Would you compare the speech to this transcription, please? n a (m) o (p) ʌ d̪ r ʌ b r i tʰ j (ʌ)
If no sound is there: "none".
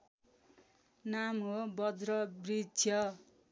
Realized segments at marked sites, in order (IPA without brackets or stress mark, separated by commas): m, b, ʌ